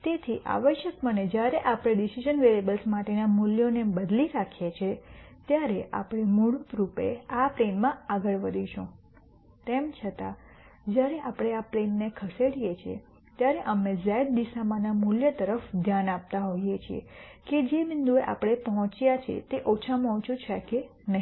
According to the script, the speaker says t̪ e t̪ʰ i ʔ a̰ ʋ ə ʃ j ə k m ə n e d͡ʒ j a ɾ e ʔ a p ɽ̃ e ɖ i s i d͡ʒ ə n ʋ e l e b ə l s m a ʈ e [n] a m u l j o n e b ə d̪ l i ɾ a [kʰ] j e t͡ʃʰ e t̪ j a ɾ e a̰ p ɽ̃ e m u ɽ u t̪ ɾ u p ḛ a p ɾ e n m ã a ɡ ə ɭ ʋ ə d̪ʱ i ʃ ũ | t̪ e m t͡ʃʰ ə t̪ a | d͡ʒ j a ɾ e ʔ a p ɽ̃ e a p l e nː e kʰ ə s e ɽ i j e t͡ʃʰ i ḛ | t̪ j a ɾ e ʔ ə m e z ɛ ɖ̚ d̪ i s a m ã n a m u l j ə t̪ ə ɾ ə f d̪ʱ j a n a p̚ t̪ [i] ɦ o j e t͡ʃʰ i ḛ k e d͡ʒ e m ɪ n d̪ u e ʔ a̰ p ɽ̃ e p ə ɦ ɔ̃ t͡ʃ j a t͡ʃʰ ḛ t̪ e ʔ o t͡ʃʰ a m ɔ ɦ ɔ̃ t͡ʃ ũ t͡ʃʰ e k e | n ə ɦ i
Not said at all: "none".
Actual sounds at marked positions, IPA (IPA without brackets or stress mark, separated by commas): n, kʰ, a